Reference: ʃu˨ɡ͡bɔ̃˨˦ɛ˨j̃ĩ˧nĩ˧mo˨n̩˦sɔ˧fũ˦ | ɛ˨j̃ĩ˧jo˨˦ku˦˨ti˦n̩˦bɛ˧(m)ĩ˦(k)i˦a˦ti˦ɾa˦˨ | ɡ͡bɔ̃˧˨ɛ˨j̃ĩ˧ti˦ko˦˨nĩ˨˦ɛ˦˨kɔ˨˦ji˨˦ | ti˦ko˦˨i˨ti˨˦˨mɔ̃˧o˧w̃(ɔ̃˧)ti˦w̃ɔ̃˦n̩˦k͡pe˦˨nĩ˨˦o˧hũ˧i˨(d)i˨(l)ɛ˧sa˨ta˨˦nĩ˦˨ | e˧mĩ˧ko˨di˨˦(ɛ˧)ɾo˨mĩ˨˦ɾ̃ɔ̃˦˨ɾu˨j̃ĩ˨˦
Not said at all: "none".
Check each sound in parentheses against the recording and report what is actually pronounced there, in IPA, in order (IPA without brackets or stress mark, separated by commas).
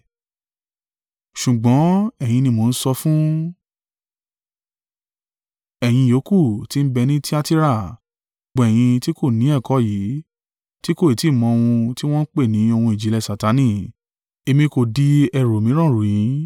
n, t, ũ˧, d͡ʒ, l, ɛ˧